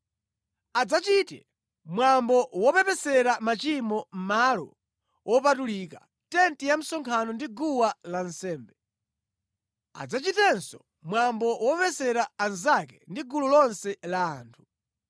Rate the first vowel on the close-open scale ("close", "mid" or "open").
open